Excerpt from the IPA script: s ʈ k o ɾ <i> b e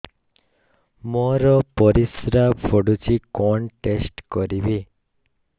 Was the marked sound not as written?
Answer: no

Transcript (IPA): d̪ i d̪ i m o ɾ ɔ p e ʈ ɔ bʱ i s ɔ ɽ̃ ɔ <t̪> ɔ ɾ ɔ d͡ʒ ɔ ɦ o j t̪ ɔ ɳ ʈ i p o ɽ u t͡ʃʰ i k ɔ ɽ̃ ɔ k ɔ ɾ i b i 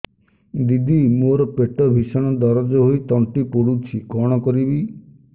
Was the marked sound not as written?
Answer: yes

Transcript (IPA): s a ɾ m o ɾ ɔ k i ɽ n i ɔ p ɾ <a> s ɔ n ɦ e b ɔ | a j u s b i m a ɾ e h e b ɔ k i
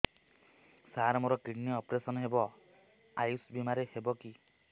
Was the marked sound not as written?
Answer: yes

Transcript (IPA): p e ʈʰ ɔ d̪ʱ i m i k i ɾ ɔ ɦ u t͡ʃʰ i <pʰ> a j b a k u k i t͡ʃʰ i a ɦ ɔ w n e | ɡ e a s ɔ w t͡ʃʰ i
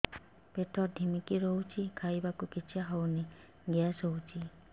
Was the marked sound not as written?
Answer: yes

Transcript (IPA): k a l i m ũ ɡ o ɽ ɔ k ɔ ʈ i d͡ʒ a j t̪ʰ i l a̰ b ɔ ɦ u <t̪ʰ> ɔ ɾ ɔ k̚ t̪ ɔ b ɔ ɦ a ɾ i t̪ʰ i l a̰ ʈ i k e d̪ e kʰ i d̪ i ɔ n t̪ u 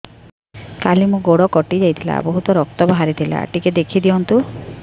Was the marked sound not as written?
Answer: yes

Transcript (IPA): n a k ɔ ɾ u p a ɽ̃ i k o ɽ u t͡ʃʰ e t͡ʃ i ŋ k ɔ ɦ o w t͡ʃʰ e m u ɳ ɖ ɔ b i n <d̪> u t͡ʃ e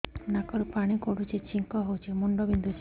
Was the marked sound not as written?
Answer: no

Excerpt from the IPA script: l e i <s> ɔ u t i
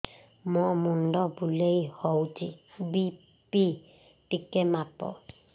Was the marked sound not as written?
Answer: yes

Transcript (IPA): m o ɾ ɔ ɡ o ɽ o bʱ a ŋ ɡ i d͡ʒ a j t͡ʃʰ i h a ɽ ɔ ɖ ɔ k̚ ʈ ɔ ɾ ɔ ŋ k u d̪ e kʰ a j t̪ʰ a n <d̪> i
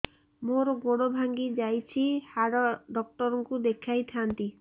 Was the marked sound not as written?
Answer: yes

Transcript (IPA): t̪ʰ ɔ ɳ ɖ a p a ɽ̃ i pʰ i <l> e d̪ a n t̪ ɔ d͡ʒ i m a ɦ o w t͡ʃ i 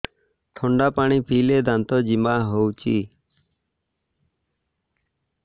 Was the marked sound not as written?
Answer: no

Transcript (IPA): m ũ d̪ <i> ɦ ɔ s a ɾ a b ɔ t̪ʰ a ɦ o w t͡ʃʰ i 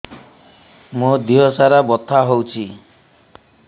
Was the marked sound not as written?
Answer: no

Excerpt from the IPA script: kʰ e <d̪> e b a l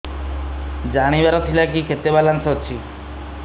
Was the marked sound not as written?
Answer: yes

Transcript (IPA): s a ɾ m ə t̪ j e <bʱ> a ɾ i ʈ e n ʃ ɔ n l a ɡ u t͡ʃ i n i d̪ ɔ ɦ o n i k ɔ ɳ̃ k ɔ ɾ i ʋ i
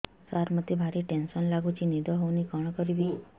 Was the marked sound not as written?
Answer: no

